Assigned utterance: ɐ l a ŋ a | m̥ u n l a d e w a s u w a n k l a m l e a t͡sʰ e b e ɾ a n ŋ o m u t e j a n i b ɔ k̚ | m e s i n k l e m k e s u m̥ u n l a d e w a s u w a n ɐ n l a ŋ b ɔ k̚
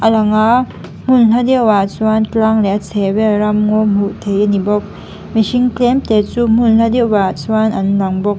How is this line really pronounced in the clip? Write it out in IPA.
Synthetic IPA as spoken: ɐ l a ŋ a | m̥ u n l a d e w a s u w a n k l a ŋ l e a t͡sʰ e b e ɾ a m ŋ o m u tʰ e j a n i b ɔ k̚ | m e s i ŋ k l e m t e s u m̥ u n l a d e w a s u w a n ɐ n l a ŋ b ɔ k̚